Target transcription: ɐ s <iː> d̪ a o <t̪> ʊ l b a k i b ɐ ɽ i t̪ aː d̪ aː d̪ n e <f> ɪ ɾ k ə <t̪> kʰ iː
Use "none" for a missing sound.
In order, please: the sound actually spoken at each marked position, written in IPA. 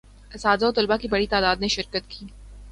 aː, t̪, ʃ, t̪

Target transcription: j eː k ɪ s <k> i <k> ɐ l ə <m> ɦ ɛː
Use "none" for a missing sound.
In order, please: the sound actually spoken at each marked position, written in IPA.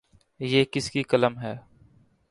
k, k, m

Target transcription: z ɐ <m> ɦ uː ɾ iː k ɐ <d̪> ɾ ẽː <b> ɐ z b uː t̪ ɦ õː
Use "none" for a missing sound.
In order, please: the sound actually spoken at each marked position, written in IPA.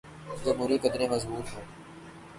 m, d̪, m

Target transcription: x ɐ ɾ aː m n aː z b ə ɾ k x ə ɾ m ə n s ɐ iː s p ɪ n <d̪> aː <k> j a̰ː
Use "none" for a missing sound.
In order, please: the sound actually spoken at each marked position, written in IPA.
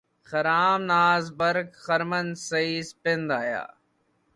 d̪, none

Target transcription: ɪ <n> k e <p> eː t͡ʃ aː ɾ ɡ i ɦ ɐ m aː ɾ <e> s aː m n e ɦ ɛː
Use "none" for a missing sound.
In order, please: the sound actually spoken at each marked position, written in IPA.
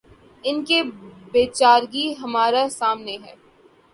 n, b, a

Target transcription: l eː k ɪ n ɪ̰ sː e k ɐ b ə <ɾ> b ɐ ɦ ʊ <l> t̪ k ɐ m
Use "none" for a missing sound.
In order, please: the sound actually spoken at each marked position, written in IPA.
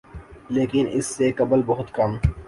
l, none

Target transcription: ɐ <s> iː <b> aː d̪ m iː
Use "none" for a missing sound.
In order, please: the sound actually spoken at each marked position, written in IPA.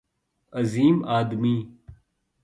z, m

